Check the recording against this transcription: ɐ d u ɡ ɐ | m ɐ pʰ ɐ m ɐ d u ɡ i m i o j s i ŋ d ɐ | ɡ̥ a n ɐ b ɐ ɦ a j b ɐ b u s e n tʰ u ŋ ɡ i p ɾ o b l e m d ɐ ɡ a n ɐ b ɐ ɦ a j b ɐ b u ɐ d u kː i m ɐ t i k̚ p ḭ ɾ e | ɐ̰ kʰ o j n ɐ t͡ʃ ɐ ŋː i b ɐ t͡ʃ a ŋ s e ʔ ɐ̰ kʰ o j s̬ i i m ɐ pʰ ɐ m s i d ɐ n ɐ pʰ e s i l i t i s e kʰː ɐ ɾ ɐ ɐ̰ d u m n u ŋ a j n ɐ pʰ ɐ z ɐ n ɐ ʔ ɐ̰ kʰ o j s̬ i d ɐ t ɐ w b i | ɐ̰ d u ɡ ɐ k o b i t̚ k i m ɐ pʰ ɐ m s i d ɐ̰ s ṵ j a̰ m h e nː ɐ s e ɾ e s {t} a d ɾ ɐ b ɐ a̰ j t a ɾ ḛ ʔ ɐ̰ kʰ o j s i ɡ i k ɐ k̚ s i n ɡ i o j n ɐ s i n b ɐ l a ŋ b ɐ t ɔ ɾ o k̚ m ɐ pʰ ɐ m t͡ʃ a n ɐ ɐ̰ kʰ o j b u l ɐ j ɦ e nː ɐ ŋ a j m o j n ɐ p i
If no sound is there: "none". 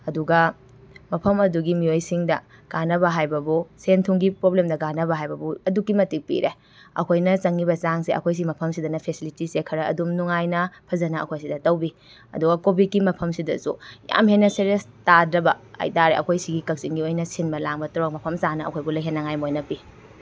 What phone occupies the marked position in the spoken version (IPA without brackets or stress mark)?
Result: t